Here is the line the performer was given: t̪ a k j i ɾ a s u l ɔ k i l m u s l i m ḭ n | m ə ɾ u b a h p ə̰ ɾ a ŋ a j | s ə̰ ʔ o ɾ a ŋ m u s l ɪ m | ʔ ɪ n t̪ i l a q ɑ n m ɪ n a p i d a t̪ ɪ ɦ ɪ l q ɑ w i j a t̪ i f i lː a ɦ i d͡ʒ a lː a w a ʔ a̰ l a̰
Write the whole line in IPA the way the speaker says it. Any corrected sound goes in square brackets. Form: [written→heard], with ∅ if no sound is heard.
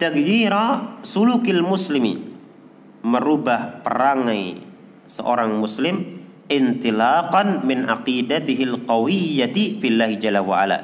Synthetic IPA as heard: t̪ a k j i ɾ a s u l [ɔ→u] k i l m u s l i m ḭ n | m ə ɾ u b a h p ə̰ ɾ a ŋ a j | s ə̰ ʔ o ɾ a ŋ m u s l ɪ m | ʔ ɪ n t̪ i l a q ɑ n m ɪ n a [p→q] i d a t̪ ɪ ɦ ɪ l q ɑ w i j a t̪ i f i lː a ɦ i d͡ʒ a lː a w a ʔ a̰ l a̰